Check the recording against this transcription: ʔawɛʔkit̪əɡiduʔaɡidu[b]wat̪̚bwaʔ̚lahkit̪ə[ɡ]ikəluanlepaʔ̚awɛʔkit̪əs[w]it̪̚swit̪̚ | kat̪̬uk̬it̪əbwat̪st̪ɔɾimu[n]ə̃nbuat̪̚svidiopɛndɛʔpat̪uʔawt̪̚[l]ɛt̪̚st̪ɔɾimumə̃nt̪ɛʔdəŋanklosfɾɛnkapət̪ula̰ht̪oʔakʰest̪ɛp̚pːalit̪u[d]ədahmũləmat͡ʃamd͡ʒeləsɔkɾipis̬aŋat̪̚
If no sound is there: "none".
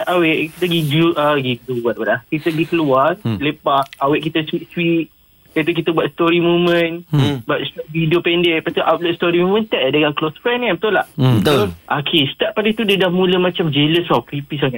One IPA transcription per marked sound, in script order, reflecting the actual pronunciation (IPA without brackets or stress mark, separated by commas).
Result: b, ɡ, w, m, l, d